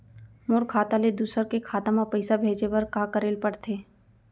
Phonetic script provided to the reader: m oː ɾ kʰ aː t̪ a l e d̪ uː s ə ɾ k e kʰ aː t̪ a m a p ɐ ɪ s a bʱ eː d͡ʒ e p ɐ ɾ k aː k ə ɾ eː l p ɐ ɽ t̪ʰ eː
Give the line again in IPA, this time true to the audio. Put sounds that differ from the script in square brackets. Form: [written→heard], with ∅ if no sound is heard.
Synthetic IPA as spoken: m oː ɾ kʰ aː t̪ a l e d̪ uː s ə ɾ k e kʰ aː t̪ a m a p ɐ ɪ s a bʱ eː d͡ʒ e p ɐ ɾ k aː k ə ɾ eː l p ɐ ɽ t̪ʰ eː